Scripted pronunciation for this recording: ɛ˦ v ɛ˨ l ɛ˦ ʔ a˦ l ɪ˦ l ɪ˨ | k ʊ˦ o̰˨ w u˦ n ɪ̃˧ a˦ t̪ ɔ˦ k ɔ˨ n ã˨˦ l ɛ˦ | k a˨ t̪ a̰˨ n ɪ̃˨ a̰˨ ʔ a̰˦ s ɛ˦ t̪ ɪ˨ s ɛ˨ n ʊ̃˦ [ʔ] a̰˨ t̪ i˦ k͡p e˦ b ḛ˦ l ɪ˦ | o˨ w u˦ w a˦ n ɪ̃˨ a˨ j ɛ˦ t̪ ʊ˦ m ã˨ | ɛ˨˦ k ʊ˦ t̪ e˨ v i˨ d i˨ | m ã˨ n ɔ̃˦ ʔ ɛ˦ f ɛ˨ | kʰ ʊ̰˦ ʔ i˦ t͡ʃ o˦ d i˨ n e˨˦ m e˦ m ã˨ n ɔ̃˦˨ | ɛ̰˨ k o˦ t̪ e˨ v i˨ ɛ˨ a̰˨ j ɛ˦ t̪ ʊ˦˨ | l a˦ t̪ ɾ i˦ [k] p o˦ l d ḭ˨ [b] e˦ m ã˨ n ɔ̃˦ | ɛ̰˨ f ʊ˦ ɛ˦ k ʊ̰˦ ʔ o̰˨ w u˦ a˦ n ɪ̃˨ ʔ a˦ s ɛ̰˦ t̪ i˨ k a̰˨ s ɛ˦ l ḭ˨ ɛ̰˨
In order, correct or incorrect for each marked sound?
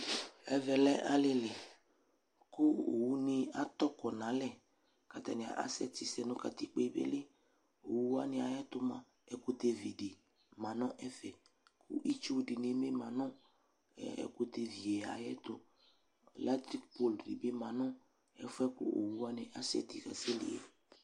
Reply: incorrect: k, correct, correct

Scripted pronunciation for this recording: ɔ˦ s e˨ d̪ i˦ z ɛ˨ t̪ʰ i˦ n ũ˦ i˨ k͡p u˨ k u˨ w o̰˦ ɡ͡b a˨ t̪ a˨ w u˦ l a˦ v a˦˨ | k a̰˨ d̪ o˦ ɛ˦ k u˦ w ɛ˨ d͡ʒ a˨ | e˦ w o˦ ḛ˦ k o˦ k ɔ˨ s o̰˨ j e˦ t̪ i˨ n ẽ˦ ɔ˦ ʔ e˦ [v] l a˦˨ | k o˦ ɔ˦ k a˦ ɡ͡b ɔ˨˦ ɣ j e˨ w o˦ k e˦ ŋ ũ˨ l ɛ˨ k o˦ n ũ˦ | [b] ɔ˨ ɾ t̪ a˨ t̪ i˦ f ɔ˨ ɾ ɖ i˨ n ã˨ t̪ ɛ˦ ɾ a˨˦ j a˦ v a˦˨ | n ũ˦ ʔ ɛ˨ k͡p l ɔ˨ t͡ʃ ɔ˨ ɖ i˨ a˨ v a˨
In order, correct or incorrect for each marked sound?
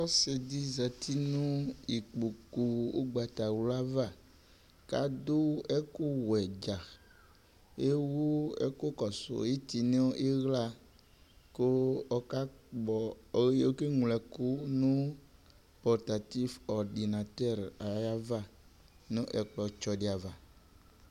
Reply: incorrect: ɣ, incorrect: p

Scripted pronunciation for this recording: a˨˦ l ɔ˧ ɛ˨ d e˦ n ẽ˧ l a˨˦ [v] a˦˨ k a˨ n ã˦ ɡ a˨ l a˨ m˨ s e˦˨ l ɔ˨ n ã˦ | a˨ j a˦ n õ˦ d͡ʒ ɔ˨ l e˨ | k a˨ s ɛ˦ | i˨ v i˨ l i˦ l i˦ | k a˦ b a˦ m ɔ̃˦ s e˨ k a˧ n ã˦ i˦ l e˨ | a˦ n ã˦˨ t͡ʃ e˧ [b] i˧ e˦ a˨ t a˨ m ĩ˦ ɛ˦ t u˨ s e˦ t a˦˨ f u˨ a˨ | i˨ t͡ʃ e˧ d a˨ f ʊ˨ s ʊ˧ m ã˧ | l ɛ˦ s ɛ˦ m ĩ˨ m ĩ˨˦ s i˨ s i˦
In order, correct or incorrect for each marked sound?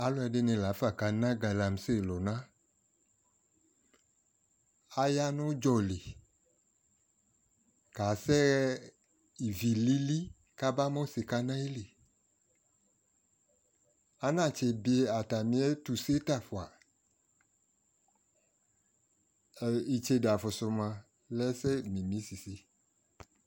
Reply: incorrect: f, correct

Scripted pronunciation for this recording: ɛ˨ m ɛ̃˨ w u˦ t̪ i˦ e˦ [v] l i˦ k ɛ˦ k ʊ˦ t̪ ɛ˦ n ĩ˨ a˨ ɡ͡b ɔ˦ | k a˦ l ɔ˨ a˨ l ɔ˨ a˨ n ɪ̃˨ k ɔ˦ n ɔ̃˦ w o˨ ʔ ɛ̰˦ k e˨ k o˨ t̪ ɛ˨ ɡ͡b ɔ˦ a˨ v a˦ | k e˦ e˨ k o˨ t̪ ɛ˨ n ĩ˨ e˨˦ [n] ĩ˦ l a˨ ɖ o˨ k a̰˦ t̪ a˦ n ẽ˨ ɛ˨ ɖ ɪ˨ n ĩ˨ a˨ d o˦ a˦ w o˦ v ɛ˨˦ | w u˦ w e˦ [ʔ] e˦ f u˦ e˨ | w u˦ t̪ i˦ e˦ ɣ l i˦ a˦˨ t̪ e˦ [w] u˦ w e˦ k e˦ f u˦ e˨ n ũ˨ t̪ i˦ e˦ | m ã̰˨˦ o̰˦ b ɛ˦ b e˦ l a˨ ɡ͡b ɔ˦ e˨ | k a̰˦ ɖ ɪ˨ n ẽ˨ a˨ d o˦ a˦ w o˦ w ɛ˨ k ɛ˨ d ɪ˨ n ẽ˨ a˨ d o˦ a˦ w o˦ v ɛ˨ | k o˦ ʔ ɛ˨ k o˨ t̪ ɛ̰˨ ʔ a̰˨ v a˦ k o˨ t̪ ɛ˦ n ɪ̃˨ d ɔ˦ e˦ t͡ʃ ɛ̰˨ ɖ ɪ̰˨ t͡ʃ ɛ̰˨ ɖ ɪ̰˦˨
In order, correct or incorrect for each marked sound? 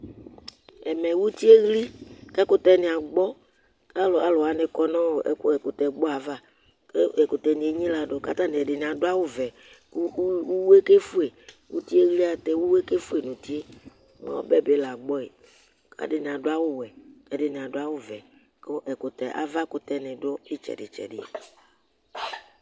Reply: incorrect: ɣ, incorrect: ɲ, incorrect: k, correct

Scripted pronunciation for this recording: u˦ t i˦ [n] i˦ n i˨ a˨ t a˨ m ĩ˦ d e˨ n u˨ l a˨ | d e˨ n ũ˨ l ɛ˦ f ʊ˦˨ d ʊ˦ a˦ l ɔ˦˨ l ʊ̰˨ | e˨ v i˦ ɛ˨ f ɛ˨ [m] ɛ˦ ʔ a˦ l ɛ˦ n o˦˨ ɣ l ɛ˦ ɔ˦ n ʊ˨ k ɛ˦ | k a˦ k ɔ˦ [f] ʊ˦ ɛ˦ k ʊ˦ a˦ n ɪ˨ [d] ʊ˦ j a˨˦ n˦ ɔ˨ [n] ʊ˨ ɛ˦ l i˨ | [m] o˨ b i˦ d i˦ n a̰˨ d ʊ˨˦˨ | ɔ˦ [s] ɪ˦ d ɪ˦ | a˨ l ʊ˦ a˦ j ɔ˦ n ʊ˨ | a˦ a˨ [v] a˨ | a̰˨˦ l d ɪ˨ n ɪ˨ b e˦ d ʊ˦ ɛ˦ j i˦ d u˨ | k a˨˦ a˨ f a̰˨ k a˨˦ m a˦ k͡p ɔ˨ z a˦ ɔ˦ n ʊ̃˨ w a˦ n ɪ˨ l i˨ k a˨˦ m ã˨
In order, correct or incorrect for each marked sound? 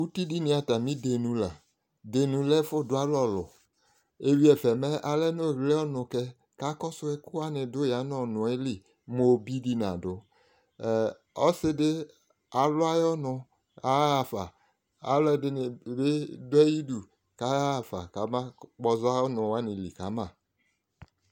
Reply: incorrect: d, correct, incorrect: s, correct, correct, correct, correct, incorrect: f

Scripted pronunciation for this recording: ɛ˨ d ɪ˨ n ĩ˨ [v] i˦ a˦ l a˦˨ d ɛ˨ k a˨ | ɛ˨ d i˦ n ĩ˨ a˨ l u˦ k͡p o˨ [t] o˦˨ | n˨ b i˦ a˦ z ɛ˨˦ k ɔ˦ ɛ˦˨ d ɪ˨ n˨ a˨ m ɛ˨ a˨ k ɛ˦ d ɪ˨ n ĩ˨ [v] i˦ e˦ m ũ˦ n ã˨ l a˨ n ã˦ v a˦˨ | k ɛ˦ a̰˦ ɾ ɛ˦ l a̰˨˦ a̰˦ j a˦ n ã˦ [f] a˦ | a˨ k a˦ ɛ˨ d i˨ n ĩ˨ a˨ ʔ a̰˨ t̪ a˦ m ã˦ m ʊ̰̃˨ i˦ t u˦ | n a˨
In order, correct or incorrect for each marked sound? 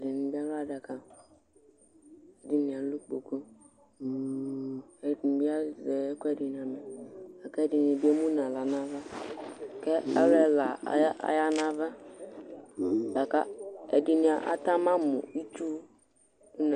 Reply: incorrect: b, incorrect: k, incorrect: b, incorrect: v

